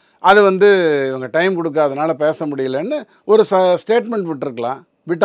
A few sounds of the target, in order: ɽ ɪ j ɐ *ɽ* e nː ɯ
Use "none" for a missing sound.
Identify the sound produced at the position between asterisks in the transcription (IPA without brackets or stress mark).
l